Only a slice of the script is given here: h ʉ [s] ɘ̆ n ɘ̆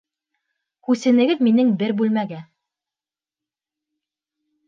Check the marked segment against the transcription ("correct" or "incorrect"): correct